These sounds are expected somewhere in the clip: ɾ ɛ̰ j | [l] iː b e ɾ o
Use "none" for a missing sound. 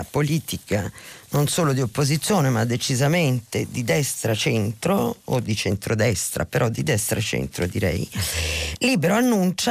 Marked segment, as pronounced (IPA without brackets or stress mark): l